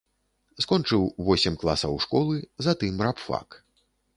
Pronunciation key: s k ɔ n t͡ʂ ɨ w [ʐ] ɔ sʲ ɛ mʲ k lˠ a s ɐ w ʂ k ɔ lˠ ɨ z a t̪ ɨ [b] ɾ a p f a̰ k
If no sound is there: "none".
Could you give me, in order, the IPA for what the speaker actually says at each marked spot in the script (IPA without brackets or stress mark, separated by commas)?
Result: v, m